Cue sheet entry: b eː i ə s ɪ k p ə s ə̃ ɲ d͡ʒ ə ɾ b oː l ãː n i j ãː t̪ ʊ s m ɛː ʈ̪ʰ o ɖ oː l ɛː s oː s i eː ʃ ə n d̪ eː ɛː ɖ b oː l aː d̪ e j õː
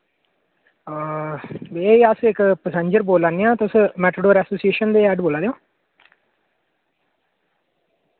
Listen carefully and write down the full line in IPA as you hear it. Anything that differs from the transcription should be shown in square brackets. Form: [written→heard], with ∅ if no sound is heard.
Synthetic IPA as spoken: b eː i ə s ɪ k p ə s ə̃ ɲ d͡ʒ ə ɾ b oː l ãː n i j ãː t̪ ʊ s m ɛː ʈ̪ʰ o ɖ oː [l→ɾ] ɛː s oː s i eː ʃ ə n d̪ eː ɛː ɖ b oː l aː d̪ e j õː